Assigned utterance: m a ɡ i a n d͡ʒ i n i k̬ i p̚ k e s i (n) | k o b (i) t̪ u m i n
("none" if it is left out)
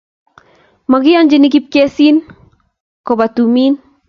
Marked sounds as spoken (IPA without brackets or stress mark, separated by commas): n, a